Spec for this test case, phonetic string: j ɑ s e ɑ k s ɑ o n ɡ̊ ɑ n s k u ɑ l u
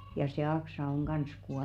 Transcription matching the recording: j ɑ s e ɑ k s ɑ o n ɡ̊ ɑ n s k u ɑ l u